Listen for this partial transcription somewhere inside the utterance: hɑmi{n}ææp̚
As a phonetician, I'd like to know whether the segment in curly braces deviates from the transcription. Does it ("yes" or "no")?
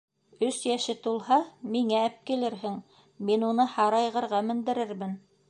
yes